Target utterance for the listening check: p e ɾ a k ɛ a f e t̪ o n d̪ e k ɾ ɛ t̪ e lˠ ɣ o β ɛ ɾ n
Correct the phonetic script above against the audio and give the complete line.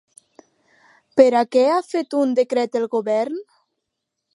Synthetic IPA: p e ɾ a k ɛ a f e t̪ u n d̪ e k ɾ ɛ t̪ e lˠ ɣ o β ɛ ɾ n